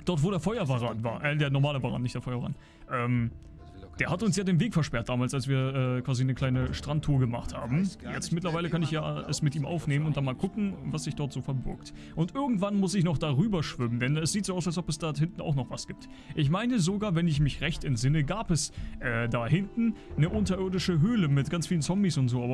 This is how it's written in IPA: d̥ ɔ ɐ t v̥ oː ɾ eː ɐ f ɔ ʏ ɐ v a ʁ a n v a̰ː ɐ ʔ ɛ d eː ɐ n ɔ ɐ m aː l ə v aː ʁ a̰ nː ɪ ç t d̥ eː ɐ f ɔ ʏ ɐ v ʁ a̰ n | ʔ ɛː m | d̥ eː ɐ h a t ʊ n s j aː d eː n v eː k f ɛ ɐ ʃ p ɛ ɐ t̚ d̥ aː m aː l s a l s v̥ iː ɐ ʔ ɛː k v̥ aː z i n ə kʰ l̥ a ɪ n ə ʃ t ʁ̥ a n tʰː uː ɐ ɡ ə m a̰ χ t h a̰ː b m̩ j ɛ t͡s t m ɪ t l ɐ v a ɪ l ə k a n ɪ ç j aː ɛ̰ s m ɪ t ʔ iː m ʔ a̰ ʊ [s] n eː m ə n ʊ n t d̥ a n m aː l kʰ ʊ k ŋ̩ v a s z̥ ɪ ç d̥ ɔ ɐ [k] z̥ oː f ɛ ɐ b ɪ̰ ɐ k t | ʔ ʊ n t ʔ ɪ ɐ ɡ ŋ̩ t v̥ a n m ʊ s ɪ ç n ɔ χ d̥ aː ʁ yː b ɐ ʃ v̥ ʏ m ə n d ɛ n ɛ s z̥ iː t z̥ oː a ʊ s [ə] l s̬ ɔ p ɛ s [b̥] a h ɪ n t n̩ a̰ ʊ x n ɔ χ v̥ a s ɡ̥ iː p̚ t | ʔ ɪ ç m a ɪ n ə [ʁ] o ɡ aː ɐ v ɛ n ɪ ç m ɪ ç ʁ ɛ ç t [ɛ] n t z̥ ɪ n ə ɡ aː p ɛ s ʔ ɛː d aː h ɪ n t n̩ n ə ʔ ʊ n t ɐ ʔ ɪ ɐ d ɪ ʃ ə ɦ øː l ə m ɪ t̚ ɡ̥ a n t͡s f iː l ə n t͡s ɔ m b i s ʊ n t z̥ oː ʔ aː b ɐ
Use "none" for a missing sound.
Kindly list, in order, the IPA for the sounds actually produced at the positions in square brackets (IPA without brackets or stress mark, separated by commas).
f, t, a, d̥, z, ɛ